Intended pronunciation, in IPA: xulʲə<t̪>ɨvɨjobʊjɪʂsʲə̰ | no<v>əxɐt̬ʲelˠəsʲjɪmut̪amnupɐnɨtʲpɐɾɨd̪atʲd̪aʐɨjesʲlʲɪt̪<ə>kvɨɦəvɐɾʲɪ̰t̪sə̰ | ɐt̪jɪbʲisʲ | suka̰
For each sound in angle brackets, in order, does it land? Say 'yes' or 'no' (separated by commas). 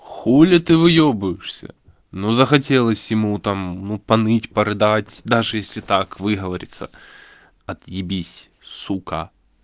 yes, no, no